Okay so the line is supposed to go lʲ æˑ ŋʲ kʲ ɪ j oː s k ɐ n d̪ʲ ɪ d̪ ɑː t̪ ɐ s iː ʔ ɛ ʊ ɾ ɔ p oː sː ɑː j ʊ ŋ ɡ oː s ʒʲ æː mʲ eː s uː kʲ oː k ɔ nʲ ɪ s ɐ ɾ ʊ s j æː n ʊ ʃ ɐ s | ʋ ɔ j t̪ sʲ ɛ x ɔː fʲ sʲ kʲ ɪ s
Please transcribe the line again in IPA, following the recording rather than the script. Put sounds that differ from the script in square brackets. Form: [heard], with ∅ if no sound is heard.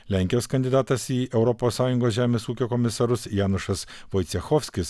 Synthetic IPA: lʲ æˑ ŋʲ kʲ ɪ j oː s k ɐ n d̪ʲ ɪ d̪ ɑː t̪ ɐ s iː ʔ ɛ ʊ ɾ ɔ p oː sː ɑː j ʊ ŋ ɡ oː s ʒʲ æː mʲ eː s uː kʲ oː k ɔ [mʲ] ɪ s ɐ ɾ ʊ s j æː n ʊ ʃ ɐ s | ʋ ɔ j t̪ sʲ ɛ x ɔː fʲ sʲ kʲ ɪ s

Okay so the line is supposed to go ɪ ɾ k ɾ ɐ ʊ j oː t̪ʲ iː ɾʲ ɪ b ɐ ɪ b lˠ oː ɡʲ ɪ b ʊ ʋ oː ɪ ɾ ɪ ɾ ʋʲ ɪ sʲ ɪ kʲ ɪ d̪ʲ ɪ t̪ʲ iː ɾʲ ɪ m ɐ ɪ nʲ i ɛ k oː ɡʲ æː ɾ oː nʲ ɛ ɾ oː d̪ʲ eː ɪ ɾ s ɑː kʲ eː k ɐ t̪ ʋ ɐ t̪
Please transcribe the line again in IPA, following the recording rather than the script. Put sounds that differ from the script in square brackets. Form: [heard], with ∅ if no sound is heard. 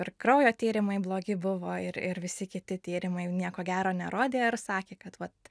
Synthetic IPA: ɪ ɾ k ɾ ɐ ʊ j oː t̪ʲ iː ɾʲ ɪ [m] ɐ ɪ b lˠ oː ɡʲ ɪ b ʊ ʋ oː ɪ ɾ ɪ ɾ ʋʲ ɪ sʲ ɪ kʲ ɪ [t̪ʲ] ɪ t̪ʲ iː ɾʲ ɪ m ɐ ɪ nʲ i ɛ k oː ɡʲ æː ɾ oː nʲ ɛ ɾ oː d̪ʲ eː ɪ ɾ s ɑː kʲ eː k ɐ t̪ ʋ ɐ t̪

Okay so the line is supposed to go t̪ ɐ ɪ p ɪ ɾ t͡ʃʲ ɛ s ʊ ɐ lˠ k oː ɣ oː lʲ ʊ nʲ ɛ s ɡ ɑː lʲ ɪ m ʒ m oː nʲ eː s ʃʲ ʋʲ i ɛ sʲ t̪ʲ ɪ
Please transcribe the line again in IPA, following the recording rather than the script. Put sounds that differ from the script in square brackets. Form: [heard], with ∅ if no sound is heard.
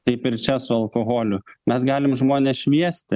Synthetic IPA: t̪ ɐ ɪ p ɪ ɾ t͡ʃʲ ɛ s ʊ ɐ lˠ k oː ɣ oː lʲ ʊ [mʲ] ɛ s ɡ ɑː lʲ ɪ m ʒ m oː nʲ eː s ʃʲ ʋʲ i ɛ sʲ t̪ʲ ɪ

